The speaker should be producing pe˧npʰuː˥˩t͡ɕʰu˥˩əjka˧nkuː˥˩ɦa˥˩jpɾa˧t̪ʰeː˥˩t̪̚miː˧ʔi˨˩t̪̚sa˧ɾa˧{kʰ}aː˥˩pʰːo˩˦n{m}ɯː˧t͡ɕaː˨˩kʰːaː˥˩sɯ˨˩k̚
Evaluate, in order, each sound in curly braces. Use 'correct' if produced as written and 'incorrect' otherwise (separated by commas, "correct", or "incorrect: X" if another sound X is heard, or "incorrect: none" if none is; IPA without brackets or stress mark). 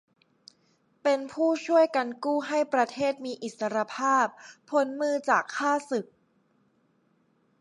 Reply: incorrect: pʰ, correct